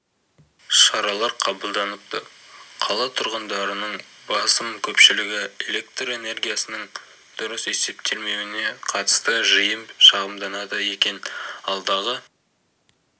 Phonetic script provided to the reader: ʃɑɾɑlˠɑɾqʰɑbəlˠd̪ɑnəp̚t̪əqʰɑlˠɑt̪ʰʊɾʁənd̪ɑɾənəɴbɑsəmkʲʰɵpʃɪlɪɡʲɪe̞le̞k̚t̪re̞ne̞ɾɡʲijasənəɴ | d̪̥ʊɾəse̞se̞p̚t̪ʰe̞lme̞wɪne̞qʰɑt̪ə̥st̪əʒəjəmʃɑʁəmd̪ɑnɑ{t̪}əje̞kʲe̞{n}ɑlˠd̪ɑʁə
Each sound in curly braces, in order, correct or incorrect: incorrect: d̪, correct

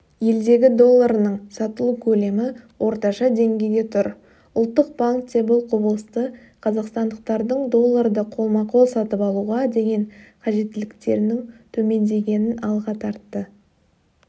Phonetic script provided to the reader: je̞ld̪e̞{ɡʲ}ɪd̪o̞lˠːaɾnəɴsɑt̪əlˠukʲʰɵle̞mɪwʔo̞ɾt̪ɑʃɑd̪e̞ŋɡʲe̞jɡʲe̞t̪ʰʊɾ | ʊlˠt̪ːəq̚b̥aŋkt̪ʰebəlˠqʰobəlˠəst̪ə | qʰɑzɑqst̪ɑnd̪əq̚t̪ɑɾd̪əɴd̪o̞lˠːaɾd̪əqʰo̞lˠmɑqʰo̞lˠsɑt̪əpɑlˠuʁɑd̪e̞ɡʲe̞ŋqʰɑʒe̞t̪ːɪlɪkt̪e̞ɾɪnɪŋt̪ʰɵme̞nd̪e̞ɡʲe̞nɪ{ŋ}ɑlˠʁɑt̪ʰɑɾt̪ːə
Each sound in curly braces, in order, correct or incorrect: correct, incorrect: n

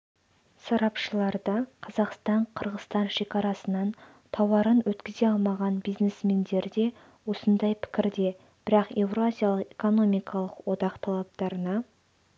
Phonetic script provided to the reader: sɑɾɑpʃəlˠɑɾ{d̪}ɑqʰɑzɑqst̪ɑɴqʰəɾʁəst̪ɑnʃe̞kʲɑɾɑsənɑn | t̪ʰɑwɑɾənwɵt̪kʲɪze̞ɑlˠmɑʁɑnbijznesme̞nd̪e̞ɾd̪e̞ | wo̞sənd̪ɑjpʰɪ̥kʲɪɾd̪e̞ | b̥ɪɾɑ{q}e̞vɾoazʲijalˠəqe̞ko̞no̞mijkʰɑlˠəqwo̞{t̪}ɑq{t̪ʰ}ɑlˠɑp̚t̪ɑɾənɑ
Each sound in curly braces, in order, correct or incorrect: correct, correct, incorrect: d̪, correct

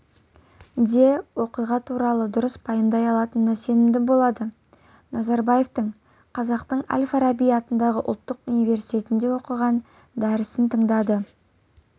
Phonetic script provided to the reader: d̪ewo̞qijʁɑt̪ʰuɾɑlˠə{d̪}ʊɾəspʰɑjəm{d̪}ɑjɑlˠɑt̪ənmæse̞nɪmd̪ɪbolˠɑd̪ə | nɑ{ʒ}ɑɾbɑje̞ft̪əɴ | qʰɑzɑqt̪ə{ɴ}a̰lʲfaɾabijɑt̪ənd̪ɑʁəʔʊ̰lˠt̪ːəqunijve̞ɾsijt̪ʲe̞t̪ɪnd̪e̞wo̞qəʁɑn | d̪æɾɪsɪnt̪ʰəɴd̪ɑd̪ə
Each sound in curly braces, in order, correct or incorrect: correct, correct, incorrect: z, correct

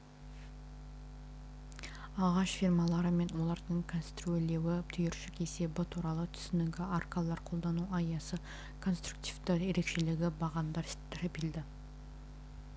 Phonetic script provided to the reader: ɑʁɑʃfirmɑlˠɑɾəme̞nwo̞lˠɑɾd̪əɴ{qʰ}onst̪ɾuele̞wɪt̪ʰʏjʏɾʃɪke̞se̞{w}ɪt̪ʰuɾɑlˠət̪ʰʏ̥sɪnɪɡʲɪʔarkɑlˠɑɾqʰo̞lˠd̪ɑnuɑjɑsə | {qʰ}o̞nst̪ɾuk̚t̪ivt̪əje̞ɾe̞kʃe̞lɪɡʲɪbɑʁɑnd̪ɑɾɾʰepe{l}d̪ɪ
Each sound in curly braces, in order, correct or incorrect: incorrect: kʰ, incorrect: b, incorrect: kʰ, correct

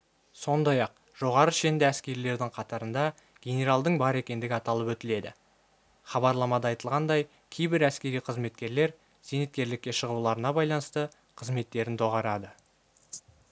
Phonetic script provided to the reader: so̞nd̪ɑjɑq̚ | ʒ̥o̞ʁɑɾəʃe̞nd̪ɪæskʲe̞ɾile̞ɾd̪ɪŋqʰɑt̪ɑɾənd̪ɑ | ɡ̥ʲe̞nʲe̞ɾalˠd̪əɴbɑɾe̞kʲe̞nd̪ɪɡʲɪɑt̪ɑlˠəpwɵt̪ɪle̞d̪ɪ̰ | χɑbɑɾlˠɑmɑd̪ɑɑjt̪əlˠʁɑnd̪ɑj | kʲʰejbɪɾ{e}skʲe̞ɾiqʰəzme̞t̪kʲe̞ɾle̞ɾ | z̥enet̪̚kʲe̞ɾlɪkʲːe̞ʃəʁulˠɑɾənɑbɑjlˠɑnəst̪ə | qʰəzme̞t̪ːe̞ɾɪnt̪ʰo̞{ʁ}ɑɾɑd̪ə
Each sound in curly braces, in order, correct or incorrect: incorrect: æ, correct

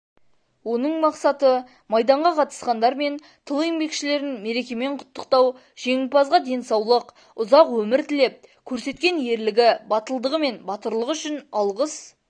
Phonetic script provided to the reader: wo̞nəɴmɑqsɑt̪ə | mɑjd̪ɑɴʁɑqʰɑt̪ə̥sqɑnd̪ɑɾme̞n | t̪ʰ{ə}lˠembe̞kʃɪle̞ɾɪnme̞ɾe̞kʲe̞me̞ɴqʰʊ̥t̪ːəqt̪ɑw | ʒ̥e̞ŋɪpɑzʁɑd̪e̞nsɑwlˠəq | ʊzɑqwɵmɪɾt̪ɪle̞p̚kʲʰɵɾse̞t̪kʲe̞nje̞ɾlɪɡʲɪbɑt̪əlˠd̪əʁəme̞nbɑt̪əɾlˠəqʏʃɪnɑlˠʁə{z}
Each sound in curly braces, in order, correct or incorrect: correct, incorrect: s

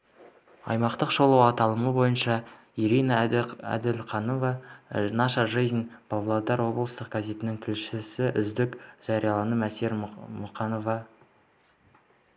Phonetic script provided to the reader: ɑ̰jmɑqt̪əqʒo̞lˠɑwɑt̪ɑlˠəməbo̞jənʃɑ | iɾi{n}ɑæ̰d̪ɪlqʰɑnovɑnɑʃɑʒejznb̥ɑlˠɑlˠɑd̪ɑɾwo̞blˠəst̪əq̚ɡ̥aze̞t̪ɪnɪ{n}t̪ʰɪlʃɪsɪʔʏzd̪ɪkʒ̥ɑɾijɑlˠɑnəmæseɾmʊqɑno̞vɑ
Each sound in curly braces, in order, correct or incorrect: correct, incorrect: ŋ

